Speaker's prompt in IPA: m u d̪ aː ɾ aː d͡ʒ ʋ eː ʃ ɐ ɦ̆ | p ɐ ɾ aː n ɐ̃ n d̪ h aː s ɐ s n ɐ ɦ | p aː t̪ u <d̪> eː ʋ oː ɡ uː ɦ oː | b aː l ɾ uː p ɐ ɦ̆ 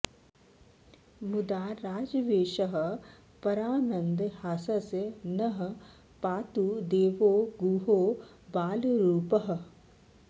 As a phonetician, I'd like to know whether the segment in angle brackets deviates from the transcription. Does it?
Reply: no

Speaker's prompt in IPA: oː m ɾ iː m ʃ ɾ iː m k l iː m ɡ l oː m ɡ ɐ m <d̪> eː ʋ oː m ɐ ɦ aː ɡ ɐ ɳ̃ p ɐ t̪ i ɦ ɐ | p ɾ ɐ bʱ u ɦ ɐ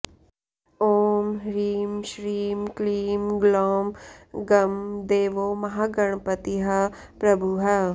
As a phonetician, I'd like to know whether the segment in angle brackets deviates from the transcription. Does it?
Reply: no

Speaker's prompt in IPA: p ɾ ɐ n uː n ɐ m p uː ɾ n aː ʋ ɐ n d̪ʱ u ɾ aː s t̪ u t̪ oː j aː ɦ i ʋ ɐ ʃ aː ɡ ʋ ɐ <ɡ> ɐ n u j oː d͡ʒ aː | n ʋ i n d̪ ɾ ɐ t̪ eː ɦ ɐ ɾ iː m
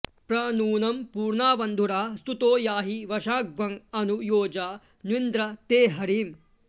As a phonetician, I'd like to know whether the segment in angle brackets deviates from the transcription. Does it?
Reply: yes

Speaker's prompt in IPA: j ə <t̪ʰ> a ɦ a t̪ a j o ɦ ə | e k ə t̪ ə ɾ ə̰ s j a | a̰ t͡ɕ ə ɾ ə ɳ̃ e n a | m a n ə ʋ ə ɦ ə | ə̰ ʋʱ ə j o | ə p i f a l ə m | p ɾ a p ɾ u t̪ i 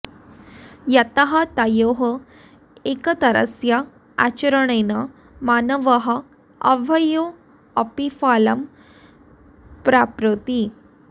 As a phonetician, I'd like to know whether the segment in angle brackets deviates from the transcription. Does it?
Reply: yes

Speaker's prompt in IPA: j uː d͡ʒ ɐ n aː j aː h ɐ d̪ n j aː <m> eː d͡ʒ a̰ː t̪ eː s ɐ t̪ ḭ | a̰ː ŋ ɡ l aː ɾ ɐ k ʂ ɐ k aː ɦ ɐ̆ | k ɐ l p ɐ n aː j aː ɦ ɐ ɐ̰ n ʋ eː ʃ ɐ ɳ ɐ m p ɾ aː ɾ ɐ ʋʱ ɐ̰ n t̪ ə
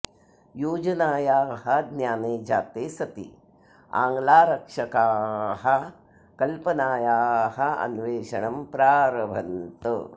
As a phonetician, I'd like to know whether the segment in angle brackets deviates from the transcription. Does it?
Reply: yes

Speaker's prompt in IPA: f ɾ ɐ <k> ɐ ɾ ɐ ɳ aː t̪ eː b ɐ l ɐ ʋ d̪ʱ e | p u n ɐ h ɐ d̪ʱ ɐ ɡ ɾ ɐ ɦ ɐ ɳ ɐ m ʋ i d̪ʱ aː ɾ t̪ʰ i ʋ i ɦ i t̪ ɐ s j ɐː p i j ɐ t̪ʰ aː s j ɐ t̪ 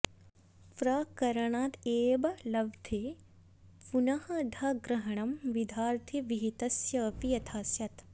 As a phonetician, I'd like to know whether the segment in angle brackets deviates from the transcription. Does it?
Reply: no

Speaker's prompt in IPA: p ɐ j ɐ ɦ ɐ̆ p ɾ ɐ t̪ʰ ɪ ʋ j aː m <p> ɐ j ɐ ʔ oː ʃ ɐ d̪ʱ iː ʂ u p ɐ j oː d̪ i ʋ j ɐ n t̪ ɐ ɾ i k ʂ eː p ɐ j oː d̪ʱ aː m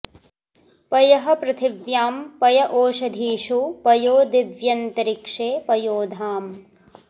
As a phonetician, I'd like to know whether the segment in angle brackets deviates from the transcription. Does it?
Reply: no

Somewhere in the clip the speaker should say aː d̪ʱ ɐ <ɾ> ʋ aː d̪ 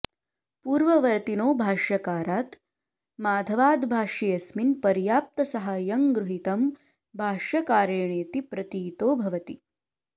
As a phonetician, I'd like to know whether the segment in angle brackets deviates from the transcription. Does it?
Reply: yes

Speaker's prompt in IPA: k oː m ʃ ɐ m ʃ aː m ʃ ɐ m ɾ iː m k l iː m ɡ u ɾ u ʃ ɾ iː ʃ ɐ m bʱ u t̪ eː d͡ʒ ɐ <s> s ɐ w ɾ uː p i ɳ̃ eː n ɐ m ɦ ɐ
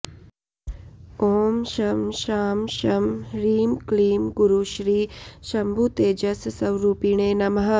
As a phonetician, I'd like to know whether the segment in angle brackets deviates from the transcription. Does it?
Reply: no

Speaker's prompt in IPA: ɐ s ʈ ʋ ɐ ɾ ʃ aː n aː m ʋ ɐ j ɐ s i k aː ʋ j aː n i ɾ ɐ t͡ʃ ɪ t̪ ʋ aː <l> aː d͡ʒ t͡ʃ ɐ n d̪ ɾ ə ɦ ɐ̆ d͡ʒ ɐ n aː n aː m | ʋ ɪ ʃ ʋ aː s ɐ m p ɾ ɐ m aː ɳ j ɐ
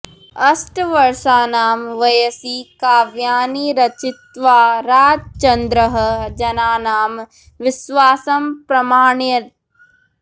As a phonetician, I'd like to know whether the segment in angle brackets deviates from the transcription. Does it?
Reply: yes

